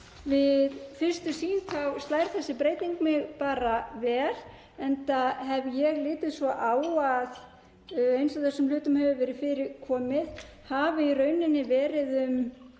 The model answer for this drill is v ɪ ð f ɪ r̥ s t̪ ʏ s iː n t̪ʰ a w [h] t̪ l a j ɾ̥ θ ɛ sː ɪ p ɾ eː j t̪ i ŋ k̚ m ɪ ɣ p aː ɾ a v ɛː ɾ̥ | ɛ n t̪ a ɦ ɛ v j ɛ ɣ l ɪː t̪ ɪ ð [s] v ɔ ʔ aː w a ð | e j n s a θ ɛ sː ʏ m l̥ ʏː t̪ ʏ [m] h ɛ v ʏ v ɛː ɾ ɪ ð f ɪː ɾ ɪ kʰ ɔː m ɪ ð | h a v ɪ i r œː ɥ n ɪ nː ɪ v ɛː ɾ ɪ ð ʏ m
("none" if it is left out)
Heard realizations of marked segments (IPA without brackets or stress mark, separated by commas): s, s, m